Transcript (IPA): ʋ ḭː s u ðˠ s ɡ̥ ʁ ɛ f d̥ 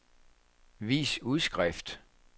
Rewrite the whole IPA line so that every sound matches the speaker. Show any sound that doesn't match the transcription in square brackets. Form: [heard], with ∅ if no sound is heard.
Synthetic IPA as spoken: ʋ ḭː s u ðˠ s ɡ̥ ʁ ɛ f d̥